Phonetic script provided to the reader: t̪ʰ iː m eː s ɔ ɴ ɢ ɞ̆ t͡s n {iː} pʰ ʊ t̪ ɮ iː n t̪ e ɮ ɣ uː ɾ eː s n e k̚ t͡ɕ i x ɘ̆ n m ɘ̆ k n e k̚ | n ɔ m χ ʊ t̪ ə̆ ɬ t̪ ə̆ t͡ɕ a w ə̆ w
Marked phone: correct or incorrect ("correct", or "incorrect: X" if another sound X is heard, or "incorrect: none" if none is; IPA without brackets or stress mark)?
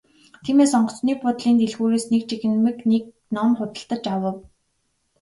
correct